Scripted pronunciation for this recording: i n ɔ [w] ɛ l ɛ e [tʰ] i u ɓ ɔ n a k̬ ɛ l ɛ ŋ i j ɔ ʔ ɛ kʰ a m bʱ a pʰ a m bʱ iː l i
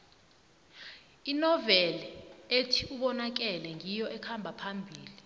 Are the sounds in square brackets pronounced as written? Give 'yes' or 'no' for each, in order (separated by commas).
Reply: no, yes